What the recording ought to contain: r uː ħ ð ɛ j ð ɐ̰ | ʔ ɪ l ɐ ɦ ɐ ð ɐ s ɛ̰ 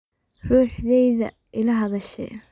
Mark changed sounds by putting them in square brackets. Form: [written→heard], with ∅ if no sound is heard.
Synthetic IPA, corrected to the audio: r uː ħ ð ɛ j ð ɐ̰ | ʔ ɪ l ɐ ɦ ɐ ð ɐ [s→ʃ] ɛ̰